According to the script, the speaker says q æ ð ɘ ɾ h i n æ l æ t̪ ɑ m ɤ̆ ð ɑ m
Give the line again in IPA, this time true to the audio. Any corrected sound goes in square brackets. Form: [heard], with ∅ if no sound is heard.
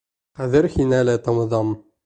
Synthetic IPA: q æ ð ɘ ɾ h i n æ l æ t̪ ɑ m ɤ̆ ð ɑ m